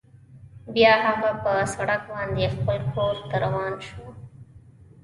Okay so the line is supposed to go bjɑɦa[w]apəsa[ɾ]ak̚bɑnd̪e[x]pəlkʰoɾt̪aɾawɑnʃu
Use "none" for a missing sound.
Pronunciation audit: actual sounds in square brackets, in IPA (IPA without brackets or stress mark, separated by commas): ɣ, ɽ, x